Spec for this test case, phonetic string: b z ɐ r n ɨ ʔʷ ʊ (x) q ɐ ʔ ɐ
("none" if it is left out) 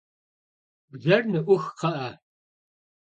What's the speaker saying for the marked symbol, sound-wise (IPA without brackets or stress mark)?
x